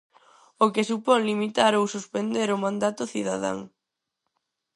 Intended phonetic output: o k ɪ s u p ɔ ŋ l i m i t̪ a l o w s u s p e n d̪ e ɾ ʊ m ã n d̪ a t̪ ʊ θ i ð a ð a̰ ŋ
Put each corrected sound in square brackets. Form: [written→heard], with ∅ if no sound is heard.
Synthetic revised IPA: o k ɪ s u p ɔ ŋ l i m i t̪ a [l→ɾ] o w s u s p e n d̪ e ɾ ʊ m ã n d̪ a t̪ ʊ θ i ð a ð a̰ ŋ